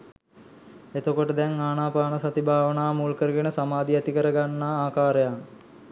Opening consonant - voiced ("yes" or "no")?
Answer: no